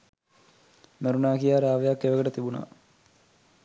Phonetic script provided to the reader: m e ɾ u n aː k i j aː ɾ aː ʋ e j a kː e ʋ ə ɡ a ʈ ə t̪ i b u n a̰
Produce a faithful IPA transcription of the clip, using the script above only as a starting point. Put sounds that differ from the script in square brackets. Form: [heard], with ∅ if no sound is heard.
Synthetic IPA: m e ɾ u n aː k i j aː ɾ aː ʋ e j a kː e ʋ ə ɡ [ə] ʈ ə t̪ i b u n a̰